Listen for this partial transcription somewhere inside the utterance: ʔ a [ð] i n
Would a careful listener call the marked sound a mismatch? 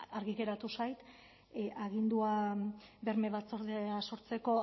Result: yes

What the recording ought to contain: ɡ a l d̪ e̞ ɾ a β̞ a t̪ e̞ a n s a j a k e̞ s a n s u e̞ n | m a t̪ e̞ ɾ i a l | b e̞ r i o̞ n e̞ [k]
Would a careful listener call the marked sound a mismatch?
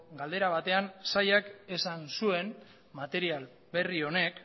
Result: no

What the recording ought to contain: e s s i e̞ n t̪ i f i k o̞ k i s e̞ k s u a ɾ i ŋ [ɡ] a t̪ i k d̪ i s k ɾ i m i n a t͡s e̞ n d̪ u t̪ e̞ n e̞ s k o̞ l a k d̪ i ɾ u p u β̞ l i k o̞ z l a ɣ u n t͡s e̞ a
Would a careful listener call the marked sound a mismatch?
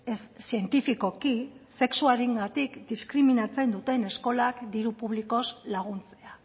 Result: no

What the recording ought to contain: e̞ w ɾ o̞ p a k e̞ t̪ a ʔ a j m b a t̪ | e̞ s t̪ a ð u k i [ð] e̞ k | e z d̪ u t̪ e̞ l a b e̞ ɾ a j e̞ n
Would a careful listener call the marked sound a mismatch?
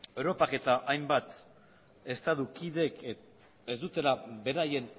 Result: no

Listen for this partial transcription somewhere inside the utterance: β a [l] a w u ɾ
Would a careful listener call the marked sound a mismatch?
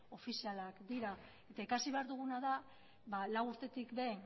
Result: no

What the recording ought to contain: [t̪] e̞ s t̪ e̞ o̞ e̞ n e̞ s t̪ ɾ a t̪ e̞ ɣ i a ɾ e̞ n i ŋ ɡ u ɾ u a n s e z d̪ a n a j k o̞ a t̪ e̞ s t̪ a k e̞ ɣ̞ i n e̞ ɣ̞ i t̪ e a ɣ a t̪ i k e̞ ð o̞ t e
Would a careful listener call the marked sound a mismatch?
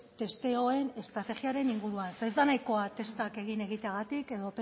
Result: no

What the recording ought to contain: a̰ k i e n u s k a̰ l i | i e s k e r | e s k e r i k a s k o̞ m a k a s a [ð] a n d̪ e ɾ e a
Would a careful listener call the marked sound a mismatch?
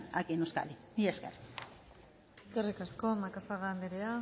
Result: yes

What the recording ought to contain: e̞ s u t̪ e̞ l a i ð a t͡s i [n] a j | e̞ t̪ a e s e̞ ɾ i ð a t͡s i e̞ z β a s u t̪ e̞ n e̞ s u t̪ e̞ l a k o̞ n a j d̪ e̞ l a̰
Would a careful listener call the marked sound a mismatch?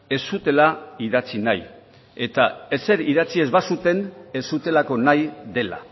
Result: no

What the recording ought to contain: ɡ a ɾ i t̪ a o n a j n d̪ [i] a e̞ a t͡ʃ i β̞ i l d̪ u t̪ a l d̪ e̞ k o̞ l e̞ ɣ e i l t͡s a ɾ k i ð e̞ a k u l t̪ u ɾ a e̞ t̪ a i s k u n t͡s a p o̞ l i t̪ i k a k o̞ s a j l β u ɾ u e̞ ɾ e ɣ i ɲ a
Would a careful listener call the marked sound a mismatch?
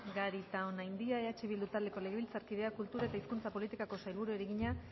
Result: no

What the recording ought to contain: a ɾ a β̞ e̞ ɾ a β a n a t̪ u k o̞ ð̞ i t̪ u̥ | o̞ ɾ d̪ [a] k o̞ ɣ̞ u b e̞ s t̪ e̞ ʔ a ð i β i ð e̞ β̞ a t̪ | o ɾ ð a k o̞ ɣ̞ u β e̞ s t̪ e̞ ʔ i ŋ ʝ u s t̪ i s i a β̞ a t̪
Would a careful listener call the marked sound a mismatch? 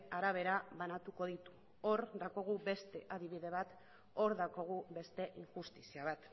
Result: no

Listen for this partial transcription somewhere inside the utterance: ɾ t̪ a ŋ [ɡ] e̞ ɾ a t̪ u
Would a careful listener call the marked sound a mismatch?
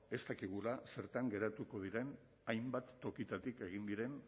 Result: no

